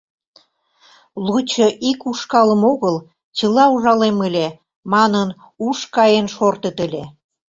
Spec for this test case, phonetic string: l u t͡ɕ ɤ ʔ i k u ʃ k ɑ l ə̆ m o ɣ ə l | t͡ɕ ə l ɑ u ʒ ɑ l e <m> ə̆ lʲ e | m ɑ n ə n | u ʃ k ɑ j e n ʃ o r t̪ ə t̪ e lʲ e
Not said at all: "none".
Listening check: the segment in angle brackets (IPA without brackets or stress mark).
m